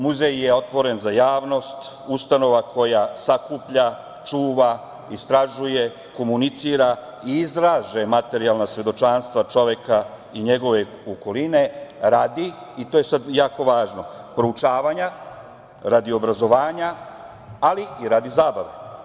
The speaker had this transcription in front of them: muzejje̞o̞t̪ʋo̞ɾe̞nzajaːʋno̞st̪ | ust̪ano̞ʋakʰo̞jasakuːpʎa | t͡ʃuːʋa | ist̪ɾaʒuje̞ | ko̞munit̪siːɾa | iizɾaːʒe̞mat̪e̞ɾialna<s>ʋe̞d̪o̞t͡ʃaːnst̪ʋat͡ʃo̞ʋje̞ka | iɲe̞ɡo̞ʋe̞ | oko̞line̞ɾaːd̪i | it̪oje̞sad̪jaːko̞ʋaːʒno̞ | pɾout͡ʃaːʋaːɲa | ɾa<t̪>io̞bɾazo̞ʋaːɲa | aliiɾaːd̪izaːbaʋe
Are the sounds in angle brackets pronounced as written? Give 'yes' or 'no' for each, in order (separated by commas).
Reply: yes, no